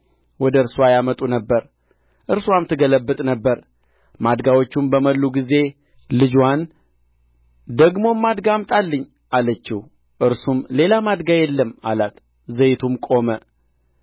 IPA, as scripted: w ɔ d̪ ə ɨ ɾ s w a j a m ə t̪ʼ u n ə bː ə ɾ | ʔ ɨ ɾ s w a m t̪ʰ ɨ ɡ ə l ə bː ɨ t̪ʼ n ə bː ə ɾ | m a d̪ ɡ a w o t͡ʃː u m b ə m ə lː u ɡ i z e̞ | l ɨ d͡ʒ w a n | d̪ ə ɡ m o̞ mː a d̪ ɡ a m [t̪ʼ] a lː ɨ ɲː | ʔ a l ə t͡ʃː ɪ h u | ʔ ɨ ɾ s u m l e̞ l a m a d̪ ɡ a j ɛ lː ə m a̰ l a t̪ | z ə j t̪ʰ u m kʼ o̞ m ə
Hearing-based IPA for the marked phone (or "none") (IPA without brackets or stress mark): t̪ʼ